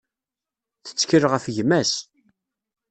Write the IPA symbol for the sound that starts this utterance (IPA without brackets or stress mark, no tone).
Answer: θ